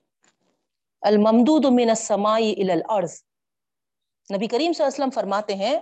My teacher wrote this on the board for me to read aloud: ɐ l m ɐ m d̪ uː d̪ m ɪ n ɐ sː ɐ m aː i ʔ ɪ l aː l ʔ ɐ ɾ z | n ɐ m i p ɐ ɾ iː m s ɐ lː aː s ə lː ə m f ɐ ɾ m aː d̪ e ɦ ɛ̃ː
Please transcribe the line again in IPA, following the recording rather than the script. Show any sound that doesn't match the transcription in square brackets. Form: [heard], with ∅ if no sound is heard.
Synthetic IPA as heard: ɐ l m ɐ m d̪ uː d̪ m ɪ n ɐ sː ɐ m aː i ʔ ɪ l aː l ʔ ɐ ɾ z | n ɐ [b] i [k] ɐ ɾ iː m s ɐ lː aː s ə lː ə m f ɐ ɾ m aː [t̪] e ɦ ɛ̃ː